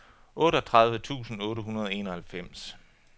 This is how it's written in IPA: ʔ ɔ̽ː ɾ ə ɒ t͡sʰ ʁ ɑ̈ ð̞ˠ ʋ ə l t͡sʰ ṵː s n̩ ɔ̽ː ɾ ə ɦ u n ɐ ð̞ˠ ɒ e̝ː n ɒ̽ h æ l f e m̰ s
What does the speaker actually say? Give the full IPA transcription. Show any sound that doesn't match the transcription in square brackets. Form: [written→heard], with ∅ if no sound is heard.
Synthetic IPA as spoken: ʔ ɔ̽ː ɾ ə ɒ t͡sʰ ʁ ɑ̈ ð̞ˠ ʋ ə [l→∅] t͡sʰ ṵː s n̩ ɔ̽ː ɾ ə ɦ u n ɐ ð̞ˠ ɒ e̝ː n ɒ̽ h æ l f e m̰ s